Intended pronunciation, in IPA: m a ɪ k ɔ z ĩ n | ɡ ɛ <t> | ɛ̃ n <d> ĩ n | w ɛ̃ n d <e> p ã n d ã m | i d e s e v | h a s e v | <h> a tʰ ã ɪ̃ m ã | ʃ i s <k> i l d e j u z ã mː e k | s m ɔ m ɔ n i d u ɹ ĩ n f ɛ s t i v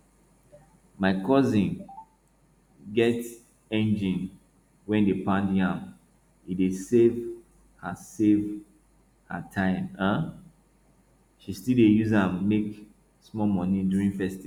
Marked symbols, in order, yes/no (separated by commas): yes, no, yes, yes, no